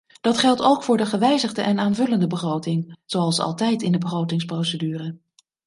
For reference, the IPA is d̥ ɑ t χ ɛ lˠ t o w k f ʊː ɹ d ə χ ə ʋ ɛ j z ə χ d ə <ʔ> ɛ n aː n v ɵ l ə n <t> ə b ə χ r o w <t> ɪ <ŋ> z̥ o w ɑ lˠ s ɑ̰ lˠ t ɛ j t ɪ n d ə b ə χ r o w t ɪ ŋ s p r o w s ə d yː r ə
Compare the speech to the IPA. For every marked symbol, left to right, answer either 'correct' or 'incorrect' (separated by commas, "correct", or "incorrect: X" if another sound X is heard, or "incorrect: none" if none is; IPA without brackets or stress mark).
correct, incorrect: d, correct, correct